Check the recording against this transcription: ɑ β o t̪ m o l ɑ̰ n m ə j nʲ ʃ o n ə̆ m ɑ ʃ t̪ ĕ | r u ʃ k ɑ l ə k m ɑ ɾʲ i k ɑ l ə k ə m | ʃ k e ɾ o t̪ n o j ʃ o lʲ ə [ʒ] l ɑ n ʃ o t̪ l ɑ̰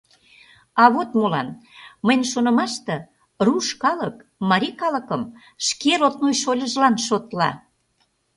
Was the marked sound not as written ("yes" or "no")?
no